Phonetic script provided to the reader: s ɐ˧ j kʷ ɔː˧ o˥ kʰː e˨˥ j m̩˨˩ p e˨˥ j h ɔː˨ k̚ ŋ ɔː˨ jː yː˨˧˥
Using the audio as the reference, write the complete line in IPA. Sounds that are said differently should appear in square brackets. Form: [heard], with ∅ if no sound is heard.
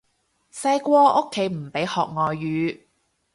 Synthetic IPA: s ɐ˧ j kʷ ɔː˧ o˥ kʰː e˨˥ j m̩˨˩ p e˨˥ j h ɔː˨ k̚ ŋ ɔː˨ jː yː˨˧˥